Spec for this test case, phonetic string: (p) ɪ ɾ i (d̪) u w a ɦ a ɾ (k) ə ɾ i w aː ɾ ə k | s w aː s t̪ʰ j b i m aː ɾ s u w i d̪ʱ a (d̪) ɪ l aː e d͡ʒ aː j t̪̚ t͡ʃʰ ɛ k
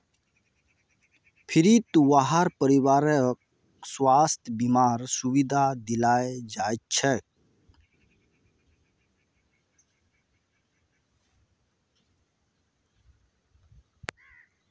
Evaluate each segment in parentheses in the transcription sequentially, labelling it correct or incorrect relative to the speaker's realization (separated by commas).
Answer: incorrect, incorrect, incorrect, correct